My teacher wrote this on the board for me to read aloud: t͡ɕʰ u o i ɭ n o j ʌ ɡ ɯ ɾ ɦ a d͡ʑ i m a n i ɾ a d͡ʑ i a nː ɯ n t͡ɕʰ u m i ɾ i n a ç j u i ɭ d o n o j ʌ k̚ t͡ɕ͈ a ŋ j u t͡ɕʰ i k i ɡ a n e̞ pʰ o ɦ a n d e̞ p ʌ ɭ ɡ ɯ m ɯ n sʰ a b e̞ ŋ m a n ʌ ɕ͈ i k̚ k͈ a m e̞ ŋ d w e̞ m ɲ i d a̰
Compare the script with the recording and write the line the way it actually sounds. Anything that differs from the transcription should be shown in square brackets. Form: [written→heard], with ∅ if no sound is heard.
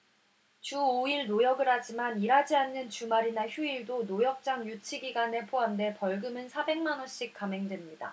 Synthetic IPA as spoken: [t͡ɕʰ→t͡ɕ] u o i ɭ n o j ʌ ɡ ɯ ɾ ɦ a d͡ʑ i m a n i ɾ a d͡ʑ i a nː ɯ n [t͡ɕʰ→t͡ɕ] u m [i→a] ɾ i n a ç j u i ɭ d o n o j ʌ k̚ t͡ɕ͈ a ŋ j u t͡ɕʰ i [k→ɡ] i ɡ a n e̞ pʰ o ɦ a n d e̞ p ʌ ɭ ɡ ɯ m ɯ n sʰ a b e̞ ŋ m a n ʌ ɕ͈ i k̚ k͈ a m e̞ ŋ d w e̞ m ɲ i d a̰